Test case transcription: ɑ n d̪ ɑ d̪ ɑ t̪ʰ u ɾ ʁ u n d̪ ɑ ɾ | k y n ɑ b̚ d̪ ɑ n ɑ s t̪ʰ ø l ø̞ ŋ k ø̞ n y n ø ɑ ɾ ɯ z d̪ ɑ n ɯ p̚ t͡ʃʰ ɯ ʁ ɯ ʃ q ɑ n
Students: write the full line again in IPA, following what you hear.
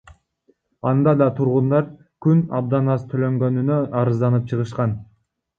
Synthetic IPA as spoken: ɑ n d̪ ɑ d̪ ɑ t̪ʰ u ɾ ʁ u n d̪ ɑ ɾ | k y n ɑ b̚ d̪ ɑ n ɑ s t̪ʰ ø l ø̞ ŋ ɡ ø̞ n y n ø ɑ ɾ ɯ z d̪ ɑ n ɯ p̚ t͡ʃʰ ɯ ʁ ɯ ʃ q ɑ n